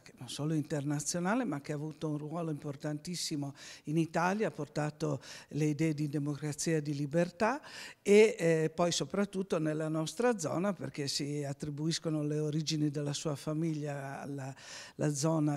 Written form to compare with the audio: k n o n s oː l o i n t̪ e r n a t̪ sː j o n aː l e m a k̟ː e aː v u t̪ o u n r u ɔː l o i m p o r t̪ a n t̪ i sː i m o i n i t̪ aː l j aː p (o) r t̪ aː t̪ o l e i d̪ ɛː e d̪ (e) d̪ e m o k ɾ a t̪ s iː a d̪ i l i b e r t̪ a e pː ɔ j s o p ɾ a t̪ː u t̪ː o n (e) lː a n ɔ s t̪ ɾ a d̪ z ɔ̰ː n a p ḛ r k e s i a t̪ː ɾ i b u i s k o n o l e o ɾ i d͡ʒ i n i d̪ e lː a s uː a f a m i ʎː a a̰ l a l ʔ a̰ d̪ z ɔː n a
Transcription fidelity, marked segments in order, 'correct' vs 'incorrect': correct, incorrect: i, correct

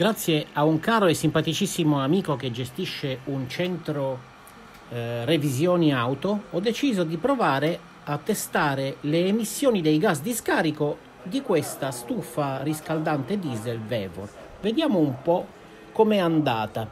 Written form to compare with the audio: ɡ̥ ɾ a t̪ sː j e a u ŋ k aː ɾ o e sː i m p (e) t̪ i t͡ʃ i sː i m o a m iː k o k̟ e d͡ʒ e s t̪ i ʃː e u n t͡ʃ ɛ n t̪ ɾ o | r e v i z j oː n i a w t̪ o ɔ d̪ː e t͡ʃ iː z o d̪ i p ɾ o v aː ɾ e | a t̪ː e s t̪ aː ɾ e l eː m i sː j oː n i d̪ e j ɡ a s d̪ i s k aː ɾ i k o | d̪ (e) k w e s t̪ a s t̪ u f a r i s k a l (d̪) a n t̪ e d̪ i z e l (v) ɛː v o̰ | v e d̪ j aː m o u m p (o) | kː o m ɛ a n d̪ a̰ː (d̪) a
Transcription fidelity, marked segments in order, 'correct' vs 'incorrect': incorrect: a, incorrect: i, correct, correct, incorrect: ɔ, incorrect: t̪

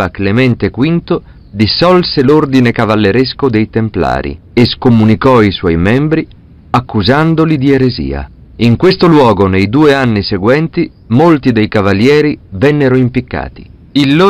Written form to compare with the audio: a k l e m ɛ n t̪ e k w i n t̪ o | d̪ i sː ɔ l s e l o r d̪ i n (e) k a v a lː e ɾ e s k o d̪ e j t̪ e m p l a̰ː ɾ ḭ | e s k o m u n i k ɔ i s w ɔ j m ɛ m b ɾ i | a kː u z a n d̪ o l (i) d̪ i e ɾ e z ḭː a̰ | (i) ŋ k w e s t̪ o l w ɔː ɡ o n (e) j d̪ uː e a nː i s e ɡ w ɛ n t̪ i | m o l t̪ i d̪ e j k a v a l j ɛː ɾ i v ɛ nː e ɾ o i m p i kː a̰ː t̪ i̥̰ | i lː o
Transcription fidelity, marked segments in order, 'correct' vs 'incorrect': correct, correct, correct, correct

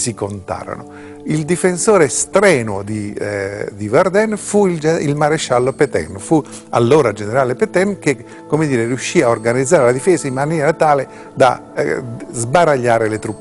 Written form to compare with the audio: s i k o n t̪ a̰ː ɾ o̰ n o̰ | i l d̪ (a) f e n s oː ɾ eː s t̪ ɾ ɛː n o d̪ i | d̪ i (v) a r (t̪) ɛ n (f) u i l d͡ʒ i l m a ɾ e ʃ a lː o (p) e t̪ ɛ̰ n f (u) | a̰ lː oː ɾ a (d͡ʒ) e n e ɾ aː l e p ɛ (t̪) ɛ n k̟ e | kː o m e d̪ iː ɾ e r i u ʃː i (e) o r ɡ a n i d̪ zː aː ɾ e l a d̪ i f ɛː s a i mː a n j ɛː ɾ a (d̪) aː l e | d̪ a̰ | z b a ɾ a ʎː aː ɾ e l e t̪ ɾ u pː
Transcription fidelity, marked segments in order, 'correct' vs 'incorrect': incorrect: i, correct, incorrect: d̪, correct, correct, correct, correct, correct, incorrect: a, incorrect: t̪

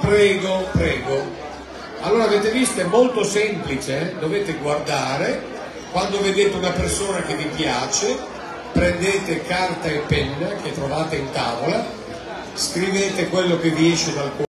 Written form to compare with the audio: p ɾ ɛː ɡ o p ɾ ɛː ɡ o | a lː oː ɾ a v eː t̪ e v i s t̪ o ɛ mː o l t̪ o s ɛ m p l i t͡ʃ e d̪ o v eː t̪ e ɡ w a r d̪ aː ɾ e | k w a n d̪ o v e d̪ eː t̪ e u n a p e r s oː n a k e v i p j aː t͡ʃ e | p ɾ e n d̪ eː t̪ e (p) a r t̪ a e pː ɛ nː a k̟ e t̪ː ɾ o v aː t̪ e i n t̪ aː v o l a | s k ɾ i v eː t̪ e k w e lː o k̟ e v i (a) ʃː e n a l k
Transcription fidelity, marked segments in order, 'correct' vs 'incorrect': incorrect: k, incorrect: ɛ

